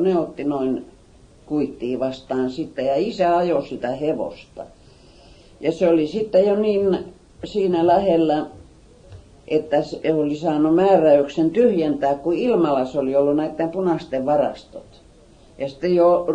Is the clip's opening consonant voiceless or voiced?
voiced